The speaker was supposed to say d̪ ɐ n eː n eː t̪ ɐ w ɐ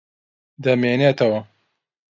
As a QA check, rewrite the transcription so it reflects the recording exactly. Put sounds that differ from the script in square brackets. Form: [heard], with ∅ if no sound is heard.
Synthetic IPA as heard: d̪ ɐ [m] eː n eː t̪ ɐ w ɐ